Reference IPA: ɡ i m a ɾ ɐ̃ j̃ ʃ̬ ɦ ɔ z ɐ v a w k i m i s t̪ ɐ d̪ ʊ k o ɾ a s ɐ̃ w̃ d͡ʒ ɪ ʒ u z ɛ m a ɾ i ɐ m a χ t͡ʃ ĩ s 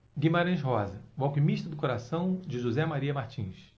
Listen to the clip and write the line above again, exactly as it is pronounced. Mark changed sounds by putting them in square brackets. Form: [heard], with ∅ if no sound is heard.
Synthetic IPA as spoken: ɡ i m a ɾ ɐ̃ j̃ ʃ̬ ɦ ɔ z ɐ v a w k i m i [ʃ] t̪ ɐ d̪ ʊ k o ɾ a s ɐ̃ w̃ d͡ʒ ɪ ʒ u z ɛ m a ɾ i ɐ m a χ t͡ʃ ĩ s